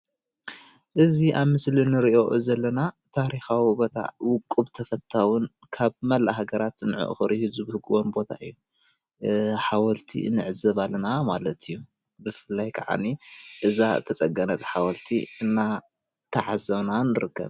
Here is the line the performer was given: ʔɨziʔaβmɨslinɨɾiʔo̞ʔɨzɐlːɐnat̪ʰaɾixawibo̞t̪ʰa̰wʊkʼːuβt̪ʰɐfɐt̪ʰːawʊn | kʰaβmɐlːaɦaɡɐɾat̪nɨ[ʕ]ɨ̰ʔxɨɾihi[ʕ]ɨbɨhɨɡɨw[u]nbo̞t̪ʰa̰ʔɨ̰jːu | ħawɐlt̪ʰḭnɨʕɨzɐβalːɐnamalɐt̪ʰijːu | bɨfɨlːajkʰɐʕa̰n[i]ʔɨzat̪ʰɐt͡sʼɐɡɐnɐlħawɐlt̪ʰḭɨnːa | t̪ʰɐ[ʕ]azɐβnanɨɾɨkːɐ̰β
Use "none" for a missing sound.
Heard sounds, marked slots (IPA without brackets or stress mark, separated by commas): ʕ, z, o, i, ʕ